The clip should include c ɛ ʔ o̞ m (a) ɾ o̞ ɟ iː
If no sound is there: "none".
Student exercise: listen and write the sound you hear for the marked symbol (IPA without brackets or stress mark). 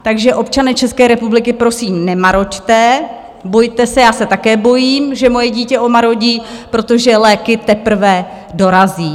a